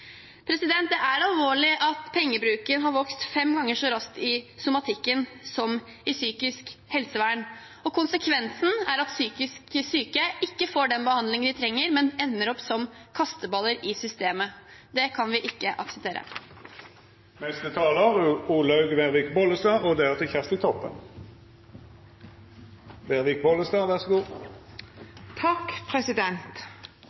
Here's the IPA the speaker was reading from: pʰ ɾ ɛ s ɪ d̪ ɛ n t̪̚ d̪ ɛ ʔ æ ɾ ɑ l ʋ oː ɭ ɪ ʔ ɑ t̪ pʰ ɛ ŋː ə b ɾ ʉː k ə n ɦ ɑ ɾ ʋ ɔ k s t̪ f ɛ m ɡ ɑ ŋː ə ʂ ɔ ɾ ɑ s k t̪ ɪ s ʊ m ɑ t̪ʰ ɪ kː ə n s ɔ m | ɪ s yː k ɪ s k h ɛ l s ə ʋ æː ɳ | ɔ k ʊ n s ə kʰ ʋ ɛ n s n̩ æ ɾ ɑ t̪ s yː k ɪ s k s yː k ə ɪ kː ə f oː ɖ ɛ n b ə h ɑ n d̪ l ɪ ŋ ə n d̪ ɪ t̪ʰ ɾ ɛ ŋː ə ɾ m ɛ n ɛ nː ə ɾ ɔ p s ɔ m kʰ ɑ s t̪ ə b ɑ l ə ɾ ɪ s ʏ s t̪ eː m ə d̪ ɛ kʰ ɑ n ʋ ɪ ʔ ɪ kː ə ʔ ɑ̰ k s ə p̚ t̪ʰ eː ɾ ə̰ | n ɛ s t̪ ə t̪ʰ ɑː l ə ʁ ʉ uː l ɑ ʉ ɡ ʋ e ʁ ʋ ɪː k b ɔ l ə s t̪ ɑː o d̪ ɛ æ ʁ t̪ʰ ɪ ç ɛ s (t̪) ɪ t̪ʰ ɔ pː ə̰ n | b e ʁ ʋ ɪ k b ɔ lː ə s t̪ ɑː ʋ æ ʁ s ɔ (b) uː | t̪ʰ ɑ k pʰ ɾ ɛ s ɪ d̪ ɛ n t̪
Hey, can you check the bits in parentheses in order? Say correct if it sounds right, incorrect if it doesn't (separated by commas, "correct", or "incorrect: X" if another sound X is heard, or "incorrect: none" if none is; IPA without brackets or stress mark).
correct, incorrect: ɡ